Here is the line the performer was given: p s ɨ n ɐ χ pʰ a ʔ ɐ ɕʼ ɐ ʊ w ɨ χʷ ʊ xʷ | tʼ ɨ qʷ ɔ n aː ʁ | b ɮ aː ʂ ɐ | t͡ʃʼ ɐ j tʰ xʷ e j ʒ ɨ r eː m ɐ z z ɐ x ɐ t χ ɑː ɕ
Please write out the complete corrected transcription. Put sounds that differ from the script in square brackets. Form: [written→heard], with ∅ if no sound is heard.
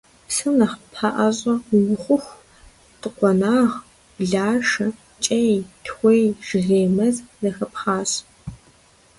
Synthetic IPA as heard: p s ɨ n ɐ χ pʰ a ʔ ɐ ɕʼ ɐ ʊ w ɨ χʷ ʊ xʷ | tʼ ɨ qʷ ɔ n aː ʁ | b ɮ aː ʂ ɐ | t͡ʃʼ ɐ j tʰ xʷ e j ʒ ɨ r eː m ɐ z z ɐ x ɐ [t→p] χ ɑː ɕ